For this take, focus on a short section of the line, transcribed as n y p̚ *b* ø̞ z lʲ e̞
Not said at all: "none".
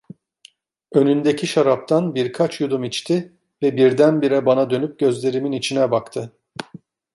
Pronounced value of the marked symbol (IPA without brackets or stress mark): ɟ